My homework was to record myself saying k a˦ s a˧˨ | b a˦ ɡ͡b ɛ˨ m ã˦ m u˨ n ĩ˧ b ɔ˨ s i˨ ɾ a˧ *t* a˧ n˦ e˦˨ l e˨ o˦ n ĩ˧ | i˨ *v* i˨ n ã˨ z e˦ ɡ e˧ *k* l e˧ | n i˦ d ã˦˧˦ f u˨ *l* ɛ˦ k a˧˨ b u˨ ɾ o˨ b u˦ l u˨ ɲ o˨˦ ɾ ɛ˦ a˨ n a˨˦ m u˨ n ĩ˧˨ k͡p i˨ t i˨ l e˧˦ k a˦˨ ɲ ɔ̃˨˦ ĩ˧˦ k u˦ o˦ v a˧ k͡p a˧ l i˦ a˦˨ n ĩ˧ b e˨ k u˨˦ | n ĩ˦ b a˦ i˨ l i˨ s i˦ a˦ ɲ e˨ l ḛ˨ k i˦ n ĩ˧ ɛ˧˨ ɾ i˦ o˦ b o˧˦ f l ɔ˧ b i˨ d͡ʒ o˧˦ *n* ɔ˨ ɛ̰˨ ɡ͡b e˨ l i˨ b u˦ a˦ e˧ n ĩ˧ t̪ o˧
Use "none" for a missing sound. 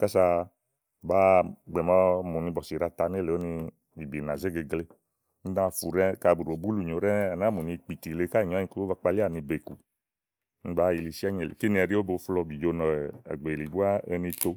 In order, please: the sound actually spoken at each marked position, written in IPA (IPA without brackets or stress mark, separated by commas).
t, b, ɡ, ɾ, n